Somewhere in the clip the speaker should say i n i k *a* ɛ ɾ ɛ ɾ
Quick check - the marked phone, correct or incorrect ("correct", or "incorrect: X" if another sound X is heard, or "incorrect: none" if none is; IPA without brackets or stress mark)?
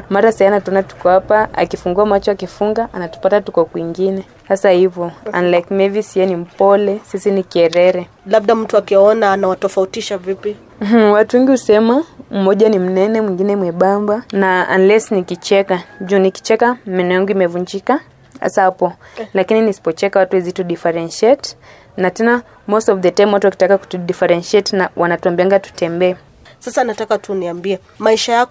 incorrect: i